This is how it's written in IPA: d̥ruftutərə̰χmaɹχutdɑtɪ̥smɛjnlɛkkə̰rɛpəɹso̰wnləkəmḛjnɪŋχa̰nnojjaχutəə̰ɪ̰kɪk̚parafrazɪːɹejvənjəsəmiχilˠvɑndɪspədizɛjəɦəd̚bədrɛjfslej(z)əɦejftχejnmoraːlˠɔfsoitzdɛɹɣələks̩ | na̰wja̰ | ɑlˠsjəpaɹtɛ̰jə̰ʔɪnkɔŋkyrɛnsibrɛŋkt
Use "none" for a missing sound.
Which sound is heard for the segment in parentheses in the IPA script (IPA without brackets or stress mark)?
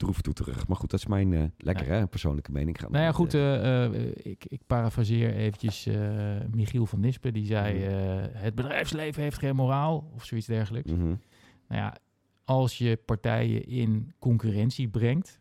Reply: v